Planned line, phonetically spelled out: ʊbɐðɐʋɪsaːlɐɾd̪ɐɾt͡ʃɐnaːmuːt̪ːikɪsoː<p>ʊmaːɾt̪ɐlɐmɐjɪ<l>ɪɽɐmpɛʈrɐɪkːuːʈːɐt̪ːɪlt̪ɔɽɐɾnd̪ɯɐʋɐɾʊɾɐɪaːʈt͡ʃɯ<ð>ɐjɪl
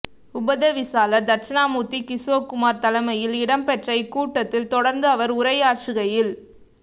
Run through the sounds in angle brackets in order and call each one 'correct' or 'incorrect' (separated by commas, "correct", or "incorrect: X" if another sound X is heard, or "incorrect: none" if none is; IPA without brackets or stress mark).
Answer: incorrect: k, correct, incorrect: ɣ